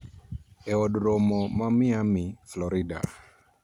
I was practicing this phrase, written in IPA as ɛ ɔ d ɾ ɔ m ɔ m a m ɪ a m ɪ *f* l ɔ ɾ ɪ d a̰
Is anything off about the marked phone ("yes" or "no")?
no